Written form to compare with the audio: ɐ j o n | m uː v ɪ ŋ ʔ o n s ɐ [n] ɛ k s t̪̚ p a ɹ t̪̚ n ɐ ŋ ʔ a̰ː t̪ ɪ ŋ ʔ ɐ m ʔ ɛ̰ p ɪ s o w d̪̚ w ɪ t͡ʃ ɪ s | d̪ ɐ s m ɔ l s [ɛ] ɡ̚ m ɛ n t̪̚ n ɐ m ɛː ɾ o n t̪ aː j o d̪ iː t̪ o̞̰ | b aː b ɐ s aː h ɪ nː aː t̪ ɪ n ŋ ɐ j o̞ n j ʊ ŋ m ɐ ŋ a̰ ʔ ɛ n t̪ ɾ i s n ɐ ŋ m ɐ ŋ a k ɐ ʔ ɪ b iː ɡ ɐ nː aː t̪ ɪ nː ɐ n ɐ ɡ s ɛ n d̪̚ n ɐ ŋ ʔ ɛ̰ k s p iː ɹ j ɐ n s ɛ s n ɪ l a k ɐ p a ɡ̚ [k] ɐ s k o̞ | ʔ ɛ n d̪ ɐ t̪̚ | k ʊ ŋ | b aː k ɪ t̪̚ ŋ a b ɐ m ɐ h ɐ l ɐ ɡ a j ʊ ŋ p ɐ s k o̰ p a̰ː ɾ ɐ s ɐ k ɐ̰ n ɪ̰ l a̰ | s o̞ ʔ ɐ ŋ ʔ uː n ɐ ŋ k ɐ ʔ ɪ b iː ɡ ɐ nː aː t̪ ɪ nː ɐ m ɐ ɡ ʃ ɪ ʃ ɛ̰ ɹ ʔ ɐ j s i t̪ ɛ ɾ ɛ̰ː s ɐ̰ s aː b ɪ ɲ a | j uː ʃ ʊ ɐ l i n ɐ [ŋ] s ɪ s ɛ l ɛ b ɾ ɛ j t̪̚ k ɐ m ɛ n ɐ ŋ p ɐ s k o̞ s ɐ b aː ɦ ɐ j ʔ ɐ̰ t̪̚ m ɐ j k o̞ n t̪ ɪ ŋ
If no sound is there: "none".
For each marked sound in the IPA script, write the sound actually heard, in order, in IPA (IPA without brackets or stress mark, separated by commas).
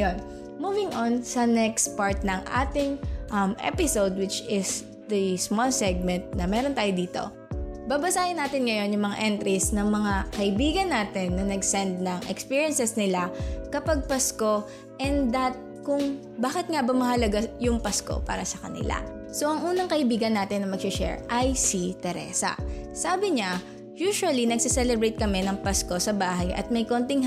n, ɛ, p, ɡ